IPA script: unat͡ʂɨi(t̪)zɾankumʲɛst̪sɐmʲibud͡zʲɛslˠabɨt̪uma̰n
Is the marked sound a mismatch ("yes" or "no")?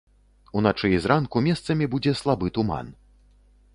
yes